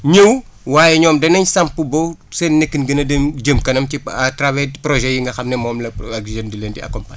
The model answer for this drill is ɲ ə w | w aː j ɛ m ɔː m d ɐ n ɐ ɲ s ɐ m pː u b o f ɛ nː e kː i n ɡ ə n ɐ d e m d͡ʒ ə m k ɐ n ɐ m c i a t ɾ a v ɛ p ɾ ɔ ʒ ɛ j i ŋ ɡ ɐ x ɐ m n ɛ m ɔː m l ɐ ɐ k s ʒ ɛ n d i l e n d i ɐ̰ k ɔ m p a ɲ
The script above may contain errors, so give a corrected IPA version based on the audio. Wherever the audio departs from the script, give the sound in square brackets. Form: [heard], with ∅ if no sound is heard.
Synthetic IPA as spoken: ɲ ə w | w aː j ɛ [ɲ] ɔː m d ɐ n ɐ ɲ s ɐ m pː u b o [s] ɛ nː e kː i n ɡ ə n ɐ d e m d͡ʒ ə m k ɐ n ɐ m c i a t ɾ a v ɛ p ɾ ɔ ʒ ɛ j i ŋ ɡ ɐ x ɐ m n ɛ m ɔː m l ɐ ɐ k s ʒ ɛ n d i l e n d i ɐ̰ k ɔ m p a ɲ